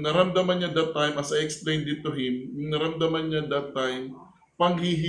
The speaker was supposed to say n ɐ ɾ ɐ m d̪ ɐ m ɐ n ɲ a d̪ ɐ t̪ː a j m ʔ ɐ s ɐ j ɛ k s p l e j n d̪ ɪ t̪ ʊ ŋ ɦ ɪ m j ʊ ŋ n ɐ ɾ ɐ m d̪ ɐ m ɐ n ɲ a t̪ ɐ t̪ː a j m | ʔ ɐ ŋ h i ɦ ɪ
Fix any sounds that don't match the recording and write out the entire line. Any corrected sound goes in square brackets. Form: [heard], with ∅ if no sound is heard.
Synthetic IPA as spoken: n ɐ ɾ ɐ m d̪ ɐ m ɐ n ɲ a d̪ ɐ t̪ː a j m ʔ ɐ s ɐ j ɛ k s p l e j n d̪ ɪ t̪ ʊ [∅] ɦ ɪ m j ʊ ŋ n ɐ ɾ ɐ m d̪ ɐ m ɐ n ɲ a [d̪] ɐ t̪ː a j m | [p] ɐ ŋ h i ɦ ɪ